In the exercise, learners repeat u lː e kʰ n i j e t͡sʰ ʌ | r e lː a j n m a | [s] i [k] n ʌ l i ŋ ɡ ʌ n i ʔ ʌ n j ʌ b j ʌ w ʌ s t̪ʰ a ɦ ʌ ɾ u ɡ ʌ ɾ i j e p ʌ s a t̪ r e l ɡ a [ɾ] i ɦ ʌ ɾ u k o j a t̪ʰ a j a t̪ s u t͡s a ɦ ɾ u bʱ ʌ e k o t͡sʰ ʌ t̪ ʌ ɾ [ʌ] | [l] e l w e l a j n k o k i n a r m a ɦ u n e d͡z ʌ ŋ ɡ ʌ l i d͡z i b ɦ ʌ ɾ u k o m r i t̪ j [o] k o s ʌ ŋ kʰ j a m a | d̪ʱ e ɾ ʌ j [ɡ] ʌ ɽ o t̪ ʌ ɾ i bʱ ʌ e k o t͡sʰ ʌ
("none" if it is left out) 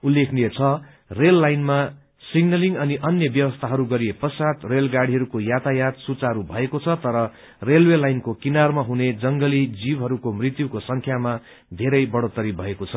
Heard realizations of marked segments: s, ɡ, ɽ, ʌ, r, u, b

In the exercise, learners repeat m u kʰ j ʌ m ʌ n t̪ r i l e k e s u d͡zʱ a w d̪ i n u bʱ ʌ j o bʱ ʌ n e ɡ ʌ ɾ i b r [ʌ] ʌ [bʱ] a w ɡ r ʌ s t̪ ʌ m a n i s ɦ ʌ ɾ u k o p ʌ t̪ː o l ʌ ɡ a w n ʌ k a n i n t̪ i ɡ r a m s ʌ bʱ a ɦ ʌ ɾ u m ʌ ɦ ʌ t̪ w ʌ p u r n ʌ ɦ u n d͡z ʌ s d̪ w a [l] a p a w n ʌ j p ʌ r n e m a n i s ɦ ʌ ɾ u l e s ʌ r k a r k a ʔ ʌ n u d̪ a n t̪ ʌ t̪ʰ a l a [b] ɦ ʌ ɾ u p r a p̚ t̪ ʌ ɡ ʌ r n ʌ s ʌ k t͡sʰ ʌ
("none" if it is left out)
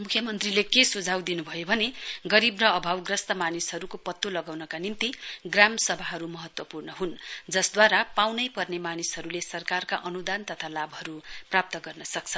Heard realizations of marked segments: ʌ, bʱ, ɾ, b

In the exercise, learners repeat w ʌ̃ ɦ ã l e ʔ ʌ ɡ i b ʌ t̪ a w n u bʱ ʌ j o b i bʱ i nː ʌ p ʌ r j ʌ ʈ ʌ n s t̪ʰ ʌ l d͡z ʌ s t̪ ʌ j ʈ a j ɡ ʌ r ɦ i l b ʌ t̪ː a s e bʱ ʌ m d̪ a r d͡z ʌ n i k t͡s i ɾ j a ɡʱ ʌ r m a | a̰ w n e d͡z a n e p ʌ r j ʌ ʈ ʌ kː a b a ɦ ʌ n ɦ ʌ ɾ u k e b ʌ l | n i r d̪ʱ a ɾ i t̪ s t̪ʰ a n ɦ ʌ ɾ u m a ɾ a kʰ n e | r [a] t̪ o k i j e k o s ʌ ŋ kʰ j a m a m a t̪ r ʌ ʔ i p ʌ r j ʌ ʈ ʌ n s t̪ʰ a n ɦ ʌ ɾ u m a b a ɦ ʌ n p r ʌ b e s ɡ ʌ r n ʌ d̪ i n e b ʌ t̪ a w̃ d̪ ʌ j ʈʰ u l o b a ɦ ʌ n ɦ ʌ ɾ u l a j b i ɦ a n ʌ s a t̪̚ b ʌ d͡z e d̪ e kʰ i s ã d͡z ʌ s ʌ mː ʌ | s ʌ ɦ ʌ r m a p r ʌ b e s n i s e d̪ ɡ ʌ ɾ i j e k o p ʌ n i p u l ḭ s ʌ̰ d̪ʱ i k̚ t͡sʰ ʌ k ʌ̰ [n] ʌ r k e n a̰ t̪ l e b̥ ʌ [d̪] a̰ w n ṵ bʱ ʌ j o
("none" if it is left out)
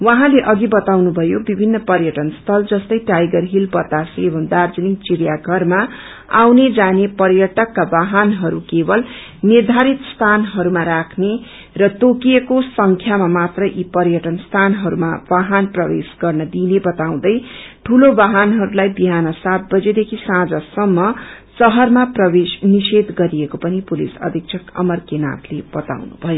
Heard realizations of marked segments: ʌ, m, t̪

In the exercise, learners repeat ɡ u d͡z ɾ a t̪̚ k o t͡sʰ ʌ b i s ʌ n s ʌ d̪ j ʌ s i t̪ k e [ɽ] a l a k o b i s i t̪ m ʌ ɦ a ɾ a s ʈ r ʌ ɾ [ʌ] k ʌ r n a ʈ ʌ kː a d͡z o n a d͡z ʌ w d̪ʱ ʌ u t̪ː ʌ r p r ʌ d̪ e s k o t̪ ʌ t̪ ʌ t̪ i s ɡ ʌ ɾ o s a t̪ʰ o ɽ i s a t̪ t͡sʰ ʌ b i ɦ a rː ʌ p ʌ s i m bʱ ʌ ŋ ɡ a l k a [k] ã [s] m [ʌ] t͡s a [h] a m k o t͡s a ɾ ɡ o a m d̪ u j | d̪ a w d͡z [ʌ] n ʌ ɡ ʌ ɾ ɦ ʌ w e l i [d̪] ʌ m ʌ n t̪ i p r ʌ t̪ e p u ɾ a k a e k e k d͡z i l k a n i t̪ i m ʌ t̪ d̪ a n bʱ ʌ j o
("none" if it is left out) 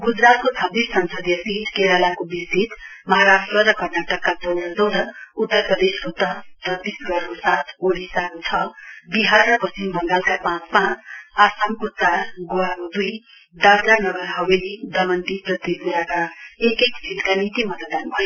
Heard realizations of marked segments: ɾ, ʌ, p, t͡s, a, s, a, d̪

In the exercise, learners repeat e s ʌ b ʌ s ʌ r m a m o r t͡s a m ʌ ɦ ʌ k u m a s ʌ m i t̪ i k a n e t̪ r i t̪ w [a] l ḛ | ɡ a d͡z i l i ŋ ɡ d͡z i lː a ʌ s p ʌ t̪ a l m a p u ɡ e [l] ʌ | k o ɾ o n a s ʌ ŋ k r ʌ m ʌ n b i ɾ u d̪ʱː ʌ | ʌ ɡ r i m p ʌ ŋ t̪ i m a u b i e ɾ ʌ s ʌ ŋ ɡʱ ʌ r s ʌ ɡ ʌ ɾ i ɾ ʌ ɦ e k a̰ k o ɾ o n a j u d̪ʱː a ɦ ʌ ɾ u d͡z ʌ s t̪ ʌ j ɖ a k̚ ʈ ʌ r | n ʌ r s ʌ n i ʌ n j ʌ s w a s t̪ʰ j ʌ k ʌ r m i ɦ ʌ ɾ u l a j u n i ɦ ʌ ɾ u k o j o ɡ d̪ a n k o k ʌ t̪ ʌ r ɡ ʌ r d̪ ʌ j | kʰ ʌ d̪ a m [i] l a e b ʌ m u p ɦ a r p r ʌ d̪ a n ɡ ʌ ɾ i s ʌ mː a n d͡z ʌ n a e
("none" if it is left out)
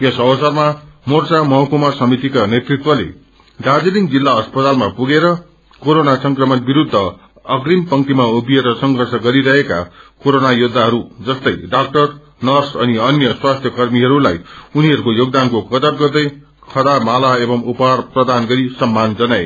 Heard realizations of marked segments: ʌ, ɾ, a

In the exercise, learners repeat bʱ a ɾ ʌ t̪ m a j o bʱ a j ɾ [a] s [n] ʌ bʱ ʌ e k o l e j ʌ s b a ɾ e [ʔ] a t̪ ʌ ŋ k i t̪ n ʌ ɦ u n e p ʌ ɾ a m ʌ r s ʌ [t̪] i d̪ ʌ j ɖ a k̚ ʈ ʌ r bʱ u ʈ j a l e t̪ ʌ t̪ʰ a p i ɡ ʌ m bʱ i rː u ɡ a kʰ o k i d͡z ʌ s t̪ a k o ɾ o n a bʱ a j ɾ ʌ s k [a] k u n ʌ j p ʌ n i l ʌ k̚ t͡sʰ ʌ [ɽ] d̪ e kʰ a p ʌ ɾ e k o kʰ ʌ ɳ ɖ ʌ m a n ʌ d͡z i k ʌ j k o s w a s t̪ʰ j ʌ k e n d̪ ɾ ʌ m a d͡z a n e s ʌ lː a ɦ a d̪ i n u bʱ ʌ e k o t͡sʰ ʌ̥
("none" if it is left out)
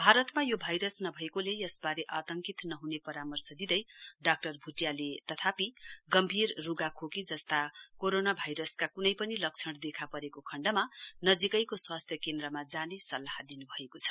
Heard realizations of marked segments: ʌ, n, ʔ, d̪, a, ɽ

